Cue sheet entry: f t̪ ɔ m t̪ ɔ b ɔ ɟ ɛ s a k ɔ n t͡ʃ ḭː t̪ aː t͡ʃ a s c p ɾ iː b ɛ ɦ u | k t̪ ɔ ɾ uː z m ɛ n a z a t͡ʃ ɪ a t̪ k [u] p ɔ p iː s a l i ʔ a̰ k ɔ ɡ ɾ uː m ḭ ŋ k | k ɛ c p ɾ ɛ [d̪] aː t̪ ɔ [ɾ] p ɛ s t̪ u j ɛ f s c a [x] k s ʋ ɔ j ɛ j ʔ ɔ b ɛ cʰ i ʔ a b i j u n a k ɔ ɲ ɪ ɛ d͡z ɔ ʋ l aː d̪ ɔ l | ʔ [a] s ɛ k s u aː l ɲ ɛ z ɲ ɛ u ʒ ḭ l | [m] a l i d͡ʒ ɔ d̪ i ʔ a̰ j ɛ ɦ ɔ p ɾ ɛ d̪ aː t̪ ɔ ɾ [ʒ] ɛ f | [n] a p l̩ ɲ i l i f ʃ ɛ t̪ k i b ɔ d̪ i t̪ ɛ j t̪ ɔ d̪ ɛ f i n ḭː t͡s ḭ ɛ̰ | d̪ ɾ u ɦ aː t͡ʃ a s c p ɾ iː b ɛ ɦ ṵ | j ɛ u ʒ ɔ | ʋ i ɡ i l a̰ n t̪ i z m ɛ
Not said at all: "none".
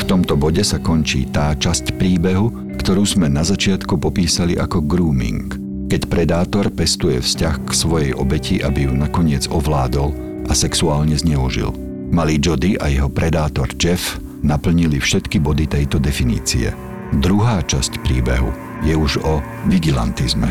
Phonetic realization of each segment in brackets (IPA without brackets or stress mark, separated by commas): u, d̪, ɾ, x, a, m, d͡ʒ, n